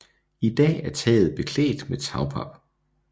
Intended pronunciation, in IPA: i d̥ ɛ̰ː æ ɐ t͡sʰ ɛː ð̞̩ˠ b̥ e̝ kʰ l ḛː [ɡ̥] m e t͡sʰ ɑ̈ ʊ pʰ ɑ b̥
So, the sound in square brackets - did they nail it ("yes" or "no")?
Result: no